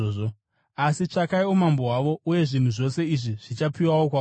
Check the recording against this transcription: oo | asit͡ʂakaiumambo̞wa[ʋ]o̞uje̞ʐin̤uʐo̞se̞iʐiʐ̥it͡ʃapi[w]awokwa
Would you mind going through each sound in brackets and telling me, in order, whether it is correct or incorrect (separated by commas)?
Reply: correct, correct